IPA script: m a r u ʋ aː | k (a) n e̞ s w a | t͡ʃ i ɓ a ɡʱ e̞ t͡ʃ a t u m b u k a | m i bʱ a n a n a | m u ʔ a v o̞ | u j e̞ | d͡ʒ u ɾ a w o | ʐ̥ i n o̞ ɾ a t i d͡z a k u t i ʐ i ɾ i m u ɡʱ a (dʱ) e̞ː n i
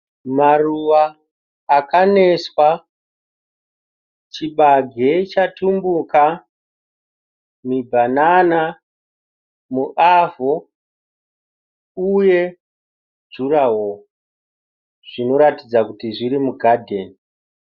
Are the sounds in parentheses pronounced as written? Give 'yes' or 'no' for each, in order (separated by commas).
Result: yes, yes